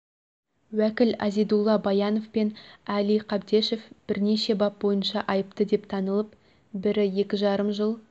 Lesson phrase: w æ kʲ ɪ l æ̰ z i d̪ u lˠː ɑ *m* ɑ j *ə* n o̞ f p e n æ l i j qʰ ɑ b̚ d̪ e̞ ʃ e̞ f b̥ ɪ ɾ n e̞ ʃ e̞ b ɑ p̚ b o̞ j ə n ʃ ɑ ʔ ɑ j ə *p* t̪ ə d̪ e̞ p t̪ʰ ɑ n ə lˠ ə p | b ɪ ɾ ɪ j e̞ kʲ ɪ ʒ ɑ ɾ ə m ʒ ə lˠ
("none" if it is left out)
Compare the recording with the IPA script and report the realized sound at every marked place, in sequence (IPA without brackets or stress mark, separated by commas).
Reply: b, ɑ, p